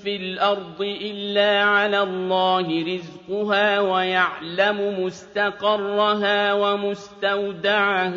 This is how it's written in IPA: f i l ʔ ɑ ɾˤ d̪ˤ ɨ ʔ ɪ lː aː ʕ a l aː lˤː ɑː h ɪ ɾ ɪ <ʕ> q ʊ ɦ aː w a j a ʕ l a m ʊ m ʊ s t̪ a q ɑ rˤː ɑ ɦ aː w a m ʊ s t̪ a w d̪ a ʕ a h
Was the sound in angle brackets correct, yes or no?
no